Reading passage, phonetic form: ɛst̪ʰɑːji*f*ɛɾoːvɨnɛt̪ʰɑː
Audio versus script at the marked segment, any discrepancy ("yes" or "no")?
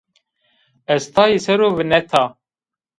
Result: yes